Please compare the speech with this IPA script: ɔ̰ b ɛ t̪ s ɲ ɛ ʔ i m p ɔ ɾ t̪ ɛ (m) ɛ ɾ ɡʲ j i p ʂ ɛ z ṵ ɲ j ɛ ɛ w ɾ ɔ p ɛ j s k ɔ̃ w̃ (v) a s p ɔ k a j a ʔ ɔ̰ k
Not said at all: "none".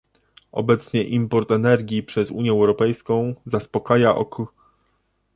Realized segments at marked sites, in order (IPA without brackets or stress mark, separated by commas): n, z